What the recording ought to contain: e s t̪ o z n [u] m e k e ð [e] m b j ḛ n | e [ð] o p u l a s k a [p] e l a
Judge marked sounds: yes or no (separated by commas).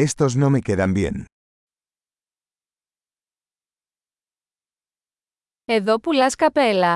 no, no, yes, yes